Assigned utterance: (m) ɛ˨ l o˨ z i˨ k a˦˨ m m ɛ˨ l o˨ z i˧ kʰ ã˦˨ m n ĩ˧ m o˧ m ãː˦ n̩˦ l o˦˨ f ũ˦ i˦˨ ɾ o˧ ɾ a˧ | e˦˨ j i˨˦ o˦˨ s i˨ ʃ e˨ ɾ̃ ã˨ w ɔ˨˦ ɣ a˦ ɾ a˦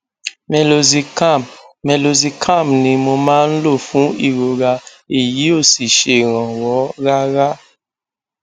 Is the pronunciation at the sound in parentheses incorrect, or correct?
correct